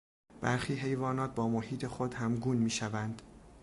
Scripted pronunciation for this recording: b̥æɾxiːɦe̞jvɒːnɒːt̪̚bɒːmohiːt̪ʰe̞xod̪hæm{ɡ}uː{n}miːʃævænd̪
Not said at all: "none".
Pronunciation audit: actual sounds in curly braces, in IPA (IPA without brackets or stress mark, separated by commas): ɡ, n